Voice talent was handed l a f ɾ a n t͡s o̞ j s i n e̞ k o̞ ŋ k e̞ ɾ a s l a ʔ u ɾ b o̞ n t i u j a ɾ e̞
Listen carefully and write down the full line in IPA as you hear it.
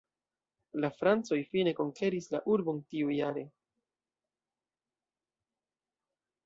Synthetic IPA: l a f ɾ a n t͡s o̞ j f i n e̞ k o̞ ŋ k e̞ ɾ i s l a ʔ u ɾ b o̞ n t i u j a ɾ e̞